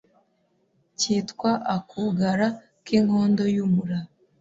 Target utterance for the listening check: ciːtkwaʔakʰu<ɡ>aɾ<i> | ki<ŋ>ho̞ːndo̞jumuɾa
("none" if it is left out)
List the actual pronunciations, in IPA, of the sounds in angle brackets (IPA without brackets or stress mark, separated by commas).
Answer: ɡ, a, ŋ